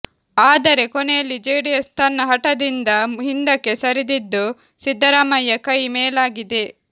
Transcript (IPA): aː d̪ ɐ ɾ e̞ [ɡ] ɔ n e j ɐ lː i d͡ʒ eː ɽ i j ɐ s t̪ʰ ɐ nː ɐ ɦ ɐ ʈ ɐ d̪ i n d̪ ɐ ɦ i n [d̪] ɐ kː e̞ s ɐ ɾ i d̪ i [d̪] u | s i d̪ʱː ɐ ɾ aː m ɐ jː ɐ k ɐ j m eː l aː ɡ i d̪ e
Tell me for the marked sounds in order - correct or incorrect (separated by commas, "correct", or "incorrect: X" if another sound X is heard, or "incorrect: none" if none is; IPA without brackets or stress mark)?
incorrect: k, correct, incorrect: d̪ː